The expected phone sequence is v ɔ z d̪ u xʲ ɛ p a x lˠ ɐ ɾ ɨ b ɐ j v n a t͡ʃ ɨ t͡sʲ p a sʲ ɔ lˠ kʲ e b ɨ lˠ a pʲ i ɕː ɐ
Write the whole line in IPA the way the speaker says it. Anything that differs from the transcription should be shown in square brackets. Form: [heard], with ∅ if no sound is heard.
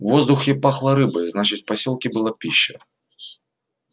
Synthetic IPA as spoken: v ɔ z d̪ u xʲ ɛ p a x lˠ ɐ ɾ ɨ b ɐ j [z] n a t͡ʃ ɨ t͡sʲ p a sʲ ɔ lˠ kʲ [i] b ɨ lˠ a pʲ i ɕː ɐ